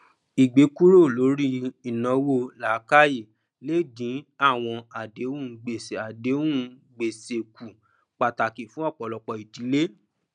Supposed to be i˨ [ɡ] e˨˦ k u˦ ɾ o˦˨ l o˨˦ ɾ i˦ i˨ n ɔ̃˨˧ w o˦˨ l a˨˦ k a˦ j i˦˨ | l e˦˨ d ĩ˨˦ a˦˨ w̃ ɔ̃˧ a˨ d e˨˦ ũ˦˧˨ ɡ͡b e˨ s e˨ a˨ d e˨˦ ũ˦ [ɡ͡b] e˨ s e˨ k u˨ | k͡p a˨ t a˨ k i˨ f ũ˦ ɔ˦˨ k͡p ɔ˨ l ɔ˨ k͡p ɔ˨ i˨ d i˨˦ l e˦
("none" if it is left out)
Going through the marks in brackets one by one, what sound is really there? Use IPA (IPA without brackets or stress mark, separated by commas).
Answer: ɡ͡b, ɡ͡b